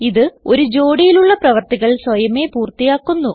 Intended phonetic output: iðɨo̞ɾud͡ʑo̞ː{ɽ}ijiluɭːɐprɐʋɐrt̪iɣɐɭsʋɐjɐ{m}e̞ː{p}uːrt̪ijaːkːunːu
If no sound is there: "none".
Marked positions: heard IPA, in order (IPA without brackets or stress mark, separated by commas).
ɽ, m, p